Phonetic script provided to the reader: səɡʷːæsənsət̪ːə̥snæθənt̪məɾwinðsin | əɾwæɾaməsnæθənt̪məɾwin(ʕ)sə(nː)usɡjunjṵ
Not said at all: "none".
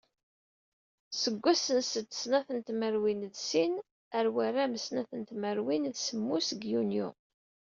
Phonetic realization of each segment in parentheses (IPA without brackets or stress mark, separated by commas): ð, mː